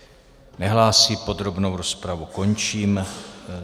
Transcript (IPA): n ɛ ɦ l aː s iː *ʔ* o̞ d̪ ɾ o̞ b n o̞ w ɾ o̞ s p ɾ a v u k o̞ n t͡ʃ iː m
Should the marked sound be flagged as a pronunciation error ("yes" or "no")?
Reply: yes